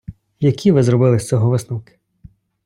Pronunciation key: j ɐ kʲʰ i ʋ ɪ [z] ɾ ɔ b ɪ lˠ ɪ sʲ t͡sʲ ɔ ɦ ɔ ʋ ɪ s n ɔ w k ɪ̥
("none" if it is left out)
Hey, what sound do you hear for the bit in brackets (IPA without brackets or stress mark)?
z